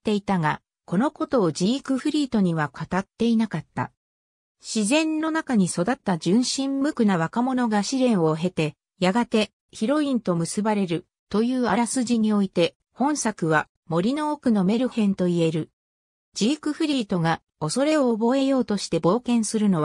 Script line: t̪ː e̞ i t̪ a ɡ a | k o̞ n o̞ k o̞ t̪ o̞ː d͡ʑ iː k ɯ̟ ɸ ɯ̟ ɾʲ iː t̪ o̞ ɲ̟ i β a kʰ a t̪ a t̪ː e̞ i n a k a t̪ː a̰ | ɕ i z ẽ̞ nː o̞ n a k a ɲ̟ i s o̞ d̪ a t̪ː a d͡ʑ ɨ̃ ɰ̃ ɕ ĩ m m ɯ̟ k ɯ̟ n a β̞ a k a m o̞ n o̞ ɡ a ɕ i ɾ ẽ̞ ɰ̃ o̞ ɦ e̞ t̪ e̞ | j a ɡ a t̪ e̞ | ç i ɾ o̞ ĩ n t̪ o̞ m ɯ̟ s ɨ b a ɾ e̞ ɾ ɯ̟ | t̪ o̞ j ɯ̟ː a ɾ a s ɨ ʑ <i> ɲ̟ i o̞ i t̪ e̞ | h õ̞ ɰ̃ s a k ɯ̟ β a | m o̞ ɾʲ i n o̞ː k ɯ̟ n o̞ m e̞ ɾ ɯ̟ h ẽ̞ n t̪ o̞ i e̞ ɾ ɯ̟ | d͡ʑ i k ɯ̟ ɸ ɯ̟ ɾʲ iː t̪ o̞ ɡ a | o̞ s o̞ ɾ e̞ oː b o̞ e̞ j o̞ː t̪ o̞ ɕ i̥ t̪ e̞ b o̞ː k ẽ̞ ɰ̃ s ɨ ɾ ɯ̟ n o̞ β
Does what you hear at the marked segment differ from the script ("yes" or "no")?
no